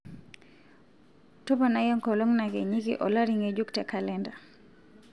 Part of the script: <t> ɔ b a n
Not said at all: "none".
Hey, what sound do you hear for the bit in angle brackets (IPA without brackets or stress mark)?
t